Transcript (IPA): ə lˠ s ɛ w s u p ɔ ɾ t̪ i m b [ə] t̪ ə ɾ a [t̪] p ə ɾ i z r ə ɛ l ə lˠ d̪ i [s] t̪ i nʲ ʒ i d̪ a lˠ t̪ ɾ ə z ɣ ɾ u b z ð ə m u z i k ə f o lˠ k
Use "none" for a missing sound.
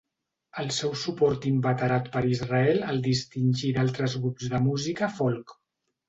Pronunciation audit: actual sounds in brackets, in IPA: ə, t̪, s

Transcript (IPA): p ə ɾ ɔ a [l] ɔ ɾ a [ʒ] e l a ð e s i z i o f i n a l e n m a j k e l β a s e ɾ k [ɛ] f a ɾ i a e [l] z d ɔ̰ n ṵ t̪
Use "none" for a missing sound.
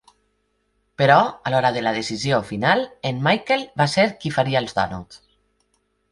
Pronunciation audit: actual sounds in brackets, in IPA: l, ð, i, l

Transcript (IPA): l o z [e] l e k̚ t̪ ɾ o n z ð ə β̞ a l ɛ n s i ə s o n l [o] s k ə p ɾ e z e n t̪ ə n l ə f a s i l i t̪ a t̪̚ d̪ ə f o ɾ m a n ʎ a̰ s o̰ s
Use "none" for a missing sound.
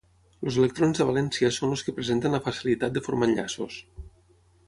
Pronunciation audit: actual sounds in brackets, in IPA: e, o

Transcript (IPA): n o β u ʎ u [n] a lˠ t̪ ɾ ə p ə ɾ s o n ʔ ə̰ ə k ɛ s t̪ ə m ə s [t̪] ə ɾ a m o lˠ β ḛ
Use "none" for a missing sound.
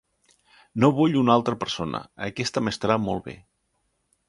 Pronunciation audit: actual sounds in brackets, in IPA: n, t̪

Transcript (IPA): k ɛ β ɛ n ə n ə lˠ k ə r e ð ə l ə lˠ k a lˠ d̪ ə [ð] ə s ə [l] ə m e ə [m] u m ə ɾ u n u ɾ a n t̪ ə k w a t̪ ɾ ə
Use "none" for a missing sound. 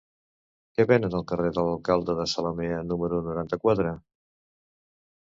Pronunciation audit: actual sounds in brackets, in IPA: ð, l, n

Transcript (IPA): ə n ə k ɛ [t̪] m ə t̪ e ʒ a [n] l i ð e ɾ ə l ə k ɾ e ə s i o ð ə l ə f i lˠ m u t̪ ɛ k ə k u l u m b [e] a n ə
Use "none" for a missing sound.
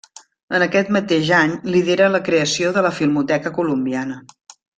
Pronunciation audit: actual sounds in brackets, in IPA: t̪, ɲ, i

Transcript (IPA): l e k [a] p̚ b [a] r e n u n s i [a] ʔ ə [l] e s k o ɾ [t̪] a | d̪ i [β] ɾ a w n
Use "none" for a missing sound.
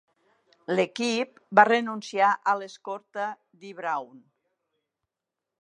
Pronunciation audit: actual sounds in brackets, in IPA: i, a, a, l, t̪, β

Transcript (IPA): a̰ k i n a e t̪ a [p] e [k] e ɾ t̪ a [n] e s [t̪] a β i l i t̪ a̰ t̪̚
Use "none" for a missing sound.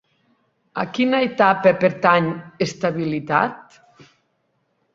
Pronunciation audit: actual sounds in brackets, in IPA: p, p, ɲ, t̪

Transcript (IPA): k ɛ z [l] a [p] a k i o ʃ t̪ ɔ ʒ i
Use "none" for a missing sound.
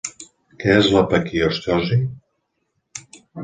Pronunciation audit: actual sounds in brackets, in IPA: l, p

